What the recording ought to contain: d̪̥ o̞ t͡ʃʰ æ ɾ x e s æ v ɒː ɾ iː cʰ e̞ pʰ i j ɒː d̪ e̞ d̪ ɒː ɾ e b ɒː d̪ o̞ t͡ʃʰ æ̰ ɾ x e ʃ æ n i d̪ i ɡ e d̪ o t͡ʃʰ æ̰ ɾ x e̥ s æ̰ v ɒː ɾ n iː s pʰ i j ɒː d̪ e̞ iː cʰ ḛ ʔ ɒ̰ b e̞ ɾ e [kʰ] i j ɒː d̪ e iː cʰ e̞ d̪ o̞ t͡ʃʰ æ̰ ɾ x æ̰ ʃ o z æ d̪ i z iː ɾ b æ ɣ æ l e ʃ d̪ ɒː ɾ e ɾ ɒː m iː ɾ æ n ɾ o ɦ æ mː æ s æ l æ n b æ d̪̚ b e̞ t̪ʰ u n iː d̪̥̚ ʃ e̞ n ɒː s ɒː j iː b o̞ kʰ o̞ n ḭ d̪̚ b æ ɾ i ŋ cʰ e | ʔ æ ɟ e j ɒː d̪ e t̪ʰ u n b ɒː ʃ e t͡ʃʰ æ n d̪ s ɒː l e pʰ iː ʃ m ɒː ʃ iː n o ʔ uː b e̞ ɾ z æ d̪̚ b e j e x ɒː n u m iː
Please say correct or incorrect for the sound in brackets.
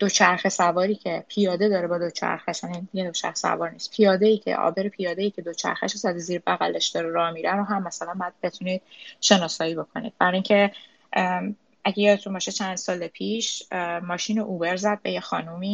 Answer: incorrect